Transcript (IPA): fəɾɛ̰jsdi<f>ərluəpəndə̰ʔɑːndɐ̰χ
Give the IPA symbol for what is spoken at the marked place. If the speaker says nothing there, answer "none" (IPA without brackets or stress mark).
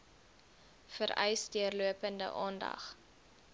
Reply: none